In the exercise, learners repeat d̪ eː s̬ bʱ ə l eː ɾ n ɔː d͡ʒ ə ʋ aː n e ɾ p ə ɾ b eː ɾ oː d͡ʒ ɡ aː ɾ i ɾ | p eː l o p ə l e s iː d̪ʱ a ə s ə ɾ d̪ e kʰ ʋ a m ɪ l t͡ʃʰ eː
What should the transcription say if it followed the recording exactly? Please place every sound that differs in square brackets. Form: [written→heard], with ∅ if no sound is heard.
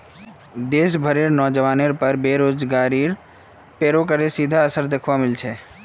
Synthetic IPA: d̪ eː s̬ bʱ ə [l→ɾ] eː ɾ n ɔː d͡ʒ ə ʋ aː n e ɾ p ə ɾ b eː ɾ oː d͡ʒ ɡ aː ɾ i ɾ | p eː [l→ɾ] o [p→k] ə [l→ɾ] e s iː d̪ʱ a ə s ə ɾ d̪ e kʰ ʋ a m ɪ l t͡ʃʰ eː